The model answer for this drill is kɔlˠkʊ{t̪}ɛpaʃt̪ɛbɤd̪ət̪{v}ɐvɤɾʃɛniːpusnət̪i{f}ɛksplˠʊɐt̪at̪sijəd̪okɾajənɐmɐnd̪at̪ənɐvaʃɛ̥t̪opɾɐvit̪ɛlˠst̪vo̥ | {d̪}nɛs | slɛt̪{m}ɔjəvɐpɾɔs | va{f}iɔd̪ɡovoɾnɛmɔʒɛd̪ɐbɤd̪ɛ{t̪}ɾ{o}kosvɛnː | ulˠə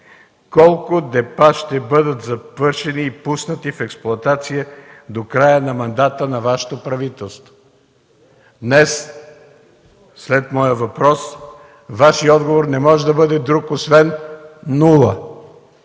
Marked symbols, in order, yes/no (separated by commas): no, no, yes, yes, yes, no, no, no